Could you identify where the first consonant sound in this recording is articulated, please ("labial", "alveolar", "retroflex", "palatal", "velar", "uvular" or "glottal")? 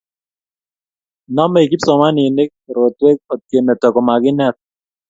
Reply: alveolar